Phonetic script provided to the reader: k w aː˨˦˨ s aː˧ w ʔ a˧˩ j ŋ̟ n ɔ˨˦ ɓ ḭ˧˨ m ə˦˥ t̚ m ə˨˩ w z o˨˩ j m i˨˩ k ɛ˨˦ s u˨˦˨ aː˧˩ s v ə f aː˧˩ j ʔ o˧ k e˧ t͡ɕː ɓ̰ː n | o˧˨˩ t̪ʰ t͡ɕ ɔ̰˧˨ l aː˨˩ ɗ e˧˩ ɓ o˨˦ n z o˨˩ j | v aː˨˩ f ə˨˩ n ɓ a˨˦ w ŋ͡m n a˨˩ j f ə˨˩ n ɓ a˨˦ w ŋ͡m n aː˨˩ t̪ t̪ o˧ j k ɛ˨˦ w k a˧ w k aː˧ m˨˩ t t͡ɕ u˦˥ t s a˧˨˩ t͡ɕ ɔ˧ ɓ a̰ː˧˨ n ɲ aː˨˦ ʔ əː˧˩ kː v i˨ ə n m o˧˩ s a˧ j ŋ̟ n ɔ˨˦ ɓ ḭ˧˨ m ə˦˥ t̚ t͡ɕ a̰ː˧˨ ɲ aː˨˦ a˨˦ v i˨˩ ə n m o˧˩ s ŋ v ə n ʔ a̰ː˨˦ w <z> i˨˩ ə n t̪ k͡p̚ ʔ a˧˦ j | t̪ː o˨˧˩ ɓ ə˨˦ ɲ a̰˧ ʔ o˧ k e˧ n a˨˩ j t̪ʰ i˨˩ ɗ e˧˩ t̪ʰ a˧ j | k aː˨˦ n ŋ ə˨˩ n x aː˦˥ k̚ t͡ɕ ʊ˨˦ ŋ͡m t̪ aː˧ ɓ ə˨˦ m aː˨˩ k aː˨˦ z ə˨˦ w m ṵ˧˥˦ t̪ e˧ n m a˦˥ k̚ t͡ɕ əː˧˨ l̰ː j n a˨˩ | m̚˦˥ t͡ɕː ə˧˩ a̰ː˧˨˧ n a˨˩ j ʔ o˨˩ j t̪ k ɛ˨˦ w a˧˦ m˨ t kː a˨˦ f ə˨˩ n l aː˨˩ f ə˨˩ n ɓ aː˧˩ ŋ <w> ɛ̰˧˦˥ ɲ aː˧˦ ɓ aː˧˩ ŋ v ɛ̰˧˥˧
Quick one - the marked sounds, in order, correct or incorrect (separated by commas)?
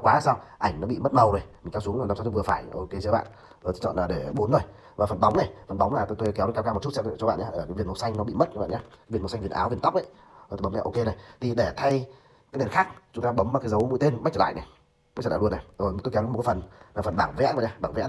incorrect, incorrect